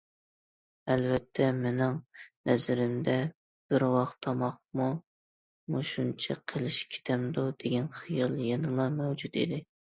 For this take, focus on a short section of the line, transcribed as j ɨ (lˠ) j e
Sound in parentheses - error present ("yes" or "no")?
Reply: no